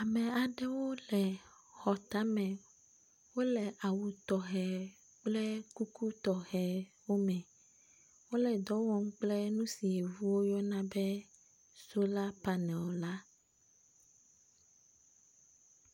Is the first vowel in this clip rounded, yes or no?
no